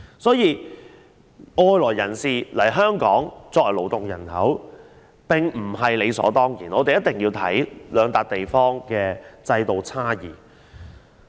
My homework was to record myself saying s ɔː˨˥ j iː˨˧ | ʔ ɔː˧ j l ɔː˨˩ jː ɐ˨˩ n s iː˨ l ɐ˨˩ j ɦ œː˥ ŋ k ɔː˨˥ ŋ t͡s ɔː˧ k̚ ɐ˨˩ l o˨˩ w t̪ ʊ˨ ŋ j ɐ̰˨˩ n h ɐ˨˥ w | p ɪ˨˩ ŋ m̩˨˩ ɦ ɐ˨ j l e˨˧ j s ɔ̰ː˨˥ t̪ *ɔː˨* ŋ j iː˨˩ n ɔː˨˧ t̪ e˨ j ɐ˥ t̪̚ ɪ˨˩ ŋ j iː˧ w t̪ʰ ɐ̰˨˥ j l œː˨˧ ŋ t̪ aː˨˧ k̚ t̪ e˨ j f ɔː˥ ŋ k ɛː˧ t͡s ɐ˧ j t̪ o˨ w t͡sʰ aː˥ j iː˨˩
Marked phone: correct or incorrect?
incorrect